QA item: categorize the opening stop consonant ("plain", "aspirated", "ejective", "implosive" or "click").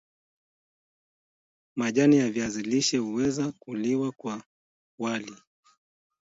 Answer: implosive